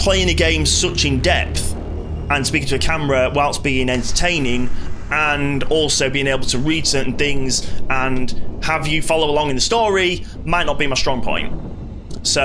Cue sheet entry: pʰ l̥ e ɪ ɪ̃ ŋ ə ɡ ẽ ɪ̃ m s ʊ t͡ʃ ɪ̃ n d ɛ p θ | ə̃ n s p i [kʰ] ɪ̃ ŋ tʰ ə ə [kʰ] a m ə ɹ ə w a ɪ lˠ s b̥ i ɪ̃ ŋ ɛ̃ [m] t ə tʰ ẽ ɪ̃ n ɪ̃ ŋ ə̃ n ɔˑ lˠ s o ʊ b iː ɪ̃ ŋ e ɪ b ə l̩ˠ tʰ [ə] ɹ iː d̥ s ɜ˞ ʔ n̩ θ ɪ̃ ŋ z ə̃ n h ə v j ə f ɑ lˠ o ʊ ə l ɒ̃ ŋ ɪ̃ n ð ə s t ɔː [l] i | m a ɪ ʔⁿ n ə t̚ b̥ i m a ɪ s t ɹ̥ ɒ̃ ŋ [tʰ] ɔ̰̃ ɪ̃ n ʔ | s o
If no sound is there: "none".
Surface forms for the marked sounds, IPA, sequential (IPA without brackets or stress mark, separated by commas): k, kʰ, n, ə, ɹ, pʰ